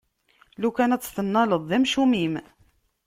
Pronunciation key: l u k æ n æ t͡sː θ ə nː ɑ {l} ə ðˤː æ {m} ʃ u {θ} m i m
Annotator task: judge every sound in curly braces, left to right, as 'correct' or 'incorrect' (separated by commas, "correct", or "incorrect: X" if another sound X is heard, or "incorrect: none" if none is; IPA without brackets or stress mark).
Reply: correct, correct, incorrect: none